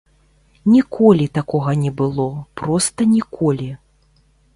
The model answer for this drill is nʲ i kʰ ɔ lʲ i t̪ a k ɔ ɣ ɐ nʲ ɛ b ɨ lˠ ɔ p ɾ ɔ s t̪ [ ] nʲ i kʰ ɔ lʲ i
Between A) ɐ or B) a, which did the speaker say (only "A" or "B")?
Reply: A